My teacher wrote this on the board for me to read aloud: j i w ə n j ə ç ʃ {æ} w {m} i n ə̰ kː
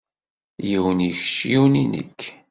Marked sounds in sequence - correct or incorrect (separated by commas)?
incorrect, incorrect